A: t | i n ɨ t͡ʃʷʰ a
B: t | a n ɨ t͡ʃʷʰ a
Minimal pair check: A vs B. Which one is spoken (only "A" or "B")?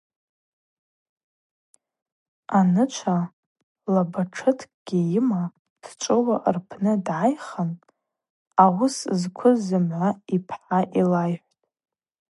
B